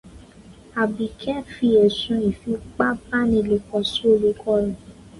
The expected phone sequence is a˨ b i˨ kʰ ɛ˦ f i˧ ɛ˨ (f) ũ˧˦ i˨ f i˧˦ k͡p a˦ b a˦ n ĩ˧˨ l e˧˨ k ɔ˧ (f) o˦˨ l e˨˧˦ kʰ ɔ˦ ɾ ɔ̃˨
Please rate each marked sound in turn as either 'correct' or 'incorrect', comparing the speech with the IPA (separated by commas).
incorrect, incorrect